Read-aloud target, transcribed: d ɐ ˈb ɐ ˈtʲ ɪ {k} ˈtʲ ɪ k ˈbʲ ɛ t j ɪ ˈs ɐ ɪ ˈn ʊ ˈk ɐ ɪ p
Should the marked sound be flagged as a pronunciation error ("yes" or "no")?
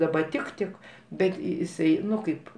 no